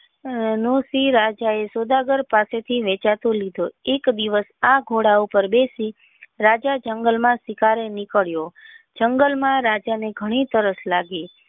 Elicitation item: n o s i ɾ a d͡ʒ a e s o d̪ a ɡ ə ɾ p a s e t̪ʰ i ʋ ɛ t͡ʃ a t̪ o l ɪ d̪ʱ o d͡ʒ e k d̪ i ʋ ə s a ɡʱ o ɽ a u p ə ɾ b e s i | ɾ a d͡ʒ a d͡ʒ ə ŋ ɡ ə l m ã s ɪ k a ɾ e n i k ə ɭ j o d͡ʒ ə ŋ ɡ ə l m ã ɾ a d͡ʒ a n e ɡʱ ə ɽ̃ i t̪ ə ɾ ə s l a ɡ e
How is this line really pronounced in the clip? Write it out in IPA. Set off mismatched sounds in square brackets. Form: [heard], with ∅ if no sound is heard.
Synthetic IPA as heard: n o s i ɾ a d͡ʒ a e s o d̪ a ɡ ə ɾ p a s e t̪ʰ i ʋ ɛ t͡ʃ a t̪ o l [i] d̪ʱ o [∅] e k d̪ i ʋ ə s a ɡʱ o ɽ a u p ə ɾ b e s i | ɾ a d͡ʒ a d͡ʒ ə ŋ ɡ ə l m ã s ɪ k a ɾ e n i k ə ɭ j o d͡ʒ ə ŋ ɡ ə l m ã ɾ a d͡ʒ a n e ɡʱ ə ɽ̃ i t̪ ə ɾ ə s l a ɡ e

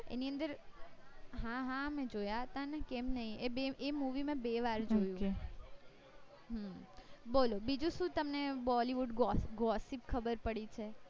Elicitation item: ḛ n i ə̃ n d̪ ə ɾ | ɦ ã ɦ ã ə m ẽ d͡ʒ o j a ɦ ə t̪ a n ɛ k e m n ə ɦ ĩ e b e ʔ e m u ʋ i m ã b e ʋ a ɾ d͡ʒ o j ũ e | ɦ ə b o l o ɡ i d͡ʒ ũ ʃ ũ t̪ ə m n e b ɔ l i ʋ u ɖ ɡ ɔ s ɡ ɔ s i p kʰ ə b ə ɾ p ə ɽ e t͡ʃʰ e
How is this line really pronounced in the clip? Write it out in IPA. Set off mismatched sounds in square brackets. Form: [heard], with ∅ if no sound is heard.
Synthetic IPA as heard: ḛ n i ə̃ n d̪ ə ɾ | ɦ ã ɦ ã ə m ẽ d͡ʒ o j a ɦ ə t̪ a n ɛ k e m n ə ɦ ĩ e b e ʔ e m u ʋ i m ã b e ʋ a ɾ d͡ʒ o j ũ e | ɦ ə b o l o [b] i d͡ʒ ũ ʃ ũ t̪ ə m n e b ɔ l i ʋ u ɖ ɡ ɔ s ɡ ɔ s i p kʰ ə b ə ɾ p ə ɽ [i] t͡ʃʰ e

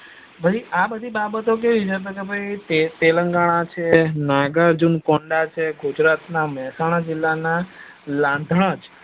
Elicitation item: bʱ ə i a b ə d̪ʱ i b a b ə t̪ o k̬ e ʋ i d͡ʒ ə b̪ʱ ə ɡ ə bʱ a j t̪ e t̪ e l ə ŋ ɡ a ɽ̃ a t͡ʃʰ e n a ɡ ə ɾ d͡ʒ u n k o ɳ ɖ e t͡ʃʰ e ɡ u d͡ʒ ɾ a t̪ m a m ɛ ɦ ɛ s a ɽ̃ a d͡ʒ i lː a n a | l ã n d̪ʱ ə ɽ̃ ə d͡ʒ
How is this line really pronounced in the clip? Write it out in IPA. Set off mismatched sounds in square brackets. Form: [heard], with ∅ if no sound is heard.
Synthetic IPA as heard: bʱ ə i a b ə d̪ʱ i b a b ə t̪ o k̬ e ʋ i d͡ʒ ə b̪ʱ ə ɡ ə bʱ a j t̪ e t̪ e l ə ŋ ɡ a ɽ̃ a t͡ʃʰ e n a ɡ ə ɾ d͡ʒ u n k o ɳ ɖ [a] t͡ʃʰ e ɡ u d͡ʒ ɾ a t̪ [n] a m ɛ ɦ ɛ s a ɽ̃ a d͡ʒ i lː a n a | l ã n d̪ʱ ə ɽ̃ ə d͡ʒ

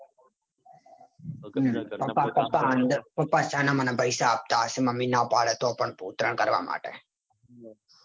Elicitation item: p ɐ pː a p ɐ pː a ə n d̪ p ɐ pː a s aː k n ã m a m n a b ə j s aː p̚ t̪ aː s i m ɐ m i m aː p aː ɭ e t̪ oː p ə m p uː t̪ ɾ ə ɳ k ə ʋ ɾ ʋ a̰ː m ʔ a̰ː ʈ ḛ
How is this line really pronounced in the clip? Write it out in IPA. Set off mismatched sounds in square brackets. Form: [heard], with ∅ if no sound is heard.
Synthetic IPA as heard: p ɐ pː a p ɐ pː a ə n d̪ p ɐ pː a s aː [∅] n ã m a [∅] n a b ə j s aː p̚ t̪ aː s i m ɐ m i [n] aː p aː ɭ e t̪ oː p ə [ɳ] p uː t̪ ɾ ə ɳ k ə [∅] ɾ ʋ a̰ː m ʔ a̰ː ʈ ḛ

